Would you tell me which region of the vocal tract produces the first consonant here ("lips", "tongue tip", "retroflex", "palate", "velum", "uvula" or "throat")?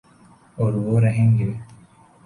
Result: tongue tip